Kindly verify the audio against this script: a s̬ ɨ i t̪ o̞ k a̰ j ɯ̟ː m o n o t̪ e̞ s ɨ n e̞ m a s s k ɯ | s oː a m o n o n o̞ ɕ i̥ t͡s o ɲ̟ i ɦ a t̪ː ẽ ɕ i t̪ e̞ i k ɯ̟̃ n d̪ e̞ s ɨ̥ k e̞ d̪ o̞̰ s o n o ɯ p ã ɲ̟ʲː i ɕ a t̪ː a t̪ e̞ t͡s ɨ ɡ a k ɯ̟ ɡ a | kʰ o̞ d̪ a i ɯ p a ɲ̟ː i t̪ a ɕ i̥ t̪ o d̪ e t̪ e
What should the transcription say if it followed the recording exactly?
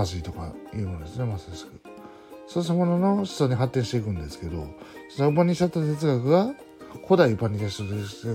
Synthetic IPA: a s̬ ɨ i t̪ o̞ k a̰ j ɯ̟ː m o n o d̪ e̞ s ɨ n e̞ m a s s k ɯ | s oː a m o n o n o̞ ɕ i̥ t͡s o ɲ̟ i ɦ a t̪ː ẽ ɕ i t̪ e̞ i k ɯ̟̃ n d̪ e̞ s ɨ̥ k e̞ d̪ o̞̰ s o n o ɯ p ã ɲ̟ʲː i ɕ a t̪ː a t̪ e̞ t͡s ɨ ɡ a k ɯ̟ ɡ a | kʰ o̞ d̪ a i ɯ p a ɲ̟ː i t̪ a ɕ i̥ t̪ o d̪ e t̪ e